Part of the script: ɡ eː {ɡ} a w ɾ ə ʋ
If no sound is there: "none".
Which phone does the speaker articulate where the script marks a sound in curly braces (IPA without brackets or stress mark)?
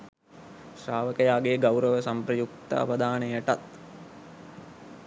ɡ